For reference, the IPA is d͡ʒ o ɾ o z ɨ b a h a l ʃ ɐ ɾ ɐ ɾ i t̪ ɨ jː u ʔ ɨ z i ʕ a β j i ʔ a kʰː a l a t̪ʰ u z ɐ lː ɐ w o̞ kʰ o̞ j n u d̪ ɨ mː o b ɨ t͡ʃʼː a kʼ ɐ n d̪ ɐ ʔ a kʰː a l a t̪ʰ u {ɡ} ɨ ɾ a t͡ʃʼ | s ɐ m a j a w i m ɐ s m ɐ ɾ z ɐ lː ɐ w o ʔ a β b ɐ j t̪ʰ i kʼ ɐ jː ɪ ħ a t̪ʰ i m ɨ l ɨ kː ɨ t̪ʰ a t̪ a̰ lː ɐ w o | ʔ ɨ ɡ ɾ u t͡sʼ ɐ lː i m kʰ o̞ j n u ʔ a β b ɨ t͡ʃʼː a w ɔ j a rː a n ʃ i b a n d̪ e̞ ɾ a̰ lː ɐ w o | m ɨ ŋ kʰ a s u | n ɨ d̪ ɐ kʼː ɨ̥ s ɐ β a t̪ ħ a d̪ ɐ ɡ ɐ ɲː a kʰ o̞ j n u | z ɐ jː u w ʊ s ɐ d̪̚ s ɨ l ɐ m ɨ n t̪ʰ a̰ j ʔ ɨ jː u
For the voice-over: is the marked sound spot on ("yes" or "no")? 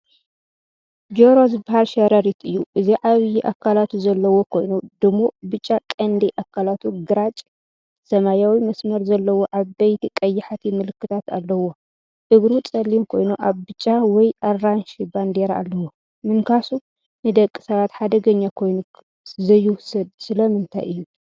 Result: yes